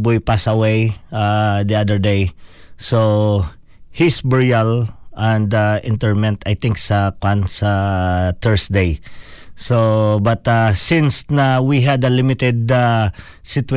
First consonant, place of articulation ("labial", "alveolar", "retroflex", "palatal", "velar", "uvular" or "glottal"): labial